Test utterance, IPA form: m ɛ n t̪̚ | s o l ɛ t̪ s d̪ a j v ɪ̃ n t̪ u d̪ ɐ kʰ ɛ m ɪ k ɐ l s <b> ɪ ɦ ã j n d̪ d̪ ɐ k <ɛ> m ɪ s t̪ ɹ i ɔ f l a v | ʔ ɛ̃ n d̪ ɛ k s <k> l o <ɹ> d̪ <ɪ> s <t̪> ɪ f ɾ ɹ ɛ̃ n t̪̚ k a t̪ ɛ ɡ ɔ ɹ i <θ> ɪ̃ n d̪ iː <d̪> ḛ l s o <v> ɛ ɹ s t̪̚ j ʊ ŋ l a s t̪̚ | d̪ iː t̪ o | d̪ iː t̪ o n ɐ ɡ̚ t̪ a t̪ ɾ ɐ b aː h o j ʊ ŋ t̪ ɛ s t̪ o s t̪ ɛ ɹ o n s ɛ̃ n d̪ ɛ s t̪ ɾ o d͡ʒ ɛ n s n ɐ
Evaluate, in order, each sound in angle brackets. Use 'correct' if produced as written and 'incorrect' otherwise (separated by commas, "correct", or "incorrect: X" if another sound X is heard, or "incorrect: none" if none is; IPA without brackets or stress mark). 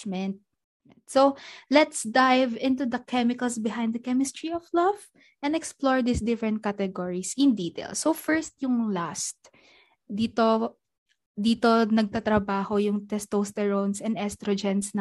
correct, correct, incorrect: p, correct, incorrect: i, incorrect: d̪, incorrect: s, incorrect: t̪, incorrect: f